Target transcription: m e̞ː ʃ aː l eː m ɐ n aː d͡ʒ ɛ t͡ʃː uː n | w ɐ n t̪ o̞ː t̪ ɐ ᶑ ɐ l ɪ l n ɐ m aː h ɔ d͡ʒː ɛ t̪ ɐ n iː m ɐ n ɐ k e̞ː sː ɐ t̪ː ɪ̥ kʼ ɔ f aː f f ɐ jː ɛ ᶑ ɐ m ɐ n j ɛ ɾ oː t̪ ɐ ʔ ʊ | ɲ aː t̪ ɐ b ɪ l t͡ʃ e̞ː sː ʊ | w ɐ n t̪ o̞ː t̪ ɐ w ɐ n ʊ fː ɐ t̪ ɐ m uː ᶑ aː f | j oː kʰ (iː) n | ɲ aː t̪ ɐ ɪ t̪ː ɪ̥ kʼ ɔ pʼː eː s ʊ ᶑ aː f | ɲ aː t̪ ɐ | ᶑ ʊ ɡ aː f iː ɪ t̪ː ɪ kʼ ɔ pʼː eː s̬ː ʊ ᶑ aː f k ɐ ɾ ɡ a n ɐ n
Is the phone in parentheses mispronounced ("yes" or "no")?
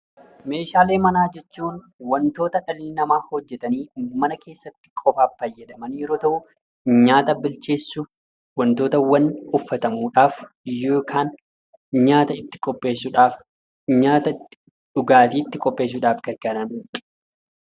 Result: yes